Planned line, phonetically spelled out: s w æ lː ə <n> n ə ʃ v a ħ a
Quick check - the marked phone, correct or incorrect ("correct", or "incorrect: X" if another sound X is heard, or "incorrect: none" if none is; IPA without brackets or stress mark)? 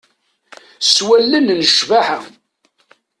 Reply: correct